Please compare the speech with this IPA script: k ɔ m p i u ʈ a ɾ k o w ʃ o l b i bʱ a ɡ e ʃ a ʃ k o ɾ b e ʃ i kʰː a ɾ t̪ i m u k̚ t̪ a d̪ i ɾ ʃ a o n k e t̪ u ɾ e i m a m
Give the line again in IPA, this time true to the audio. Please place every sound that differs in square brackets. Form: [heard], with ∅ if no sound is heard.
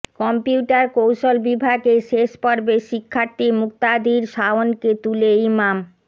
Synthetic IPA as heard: k ɔ m p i u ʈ a ɾ k o w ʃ o l b i bʱ a ɡ e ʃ [e] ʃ [p] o ɾ b e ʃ i kʰː a ɾ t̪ i m u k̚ t̪ a d̪ i ɾ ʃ a o n k e t̪ u [l] e i m a m